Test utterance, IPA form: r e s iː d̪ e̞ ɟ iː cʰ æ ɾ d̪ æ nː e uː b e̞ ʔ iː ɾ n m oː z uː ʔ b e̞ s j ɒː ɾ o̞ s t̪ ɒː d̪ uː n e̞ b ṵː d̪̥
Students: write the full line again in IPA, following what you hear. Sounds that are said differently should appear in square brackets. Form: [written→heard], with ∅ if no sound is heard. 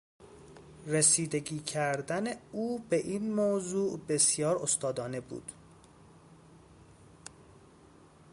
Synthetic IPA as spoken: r e s iː d̪ e̞ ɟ iː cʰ æ ɾ d̪ æ [nː→n] e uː b e̞ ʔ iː [ɾ→∅] n m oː z uː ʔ b e̞ s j ɒː ɾ o̞ s t̪ ɒː d̪ [uː→ɒː] n e̞ b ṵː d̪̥